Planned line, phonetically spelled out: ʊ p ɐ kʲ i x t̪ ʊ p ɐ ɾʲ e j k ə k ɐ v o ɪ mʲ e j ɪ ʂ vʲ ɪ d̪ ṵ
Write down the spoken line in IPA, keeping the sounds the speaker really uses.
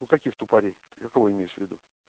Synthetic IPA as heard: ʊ k ɐ kʲ i x t̪ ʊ p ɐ ɾʲ e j k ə k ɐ v o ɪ mʲ e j ɪ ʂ vʲ ɪ d̪ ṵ